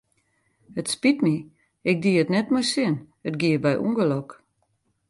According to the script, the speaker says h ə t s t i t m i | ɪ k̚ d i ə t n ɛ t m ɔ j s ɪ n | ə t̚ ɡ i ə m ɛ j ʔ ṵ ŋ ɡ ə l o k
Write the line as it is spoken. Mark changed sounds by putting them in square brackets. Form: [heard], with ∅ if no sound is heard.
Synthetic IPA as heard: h ə t s [p] i t m i | ɪ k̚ d i ə t n ɛ t m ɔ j s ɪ n | ə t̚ ɡ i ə [b] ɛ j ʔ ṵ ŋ ɡ ə l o k